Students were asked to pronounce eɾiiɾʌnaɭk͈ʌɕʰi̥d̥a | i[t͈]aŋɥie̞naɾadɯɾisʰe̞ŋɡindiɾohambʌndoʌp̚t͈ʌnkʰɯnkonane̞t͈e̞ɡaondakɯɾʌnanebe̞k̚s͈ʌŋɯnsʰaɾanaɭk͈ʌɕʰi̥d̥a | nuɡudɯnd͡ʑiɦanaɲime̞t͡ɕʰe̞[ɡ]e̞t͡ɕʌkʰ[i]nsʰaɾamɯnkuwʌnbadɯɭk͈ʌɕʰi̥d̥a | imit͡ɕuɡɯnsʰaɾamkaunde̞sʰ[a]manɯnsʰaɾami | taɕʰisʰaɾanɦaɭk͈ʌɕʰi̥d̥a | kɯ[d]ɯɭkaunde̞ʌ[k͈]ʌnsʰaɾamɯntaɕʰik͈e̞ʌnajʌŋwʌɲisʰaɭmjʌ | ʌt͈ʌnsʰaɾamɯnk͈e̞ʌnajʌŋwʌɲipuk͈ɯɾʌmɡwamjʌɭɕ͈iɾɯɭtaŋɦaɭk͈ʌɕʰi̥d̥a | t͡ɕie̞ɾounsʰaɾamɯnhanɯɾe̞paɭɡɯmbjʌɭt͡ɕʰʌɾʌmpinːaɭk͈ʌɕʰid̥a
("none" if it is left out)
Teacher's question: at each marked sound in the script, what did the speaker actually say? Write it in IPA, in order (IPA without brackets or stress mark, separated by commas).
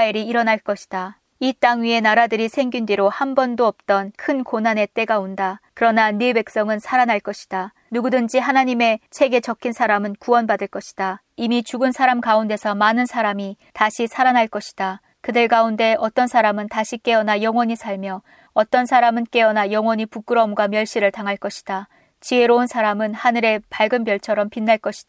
t͈, ɡ, i, ʌ, d, t͈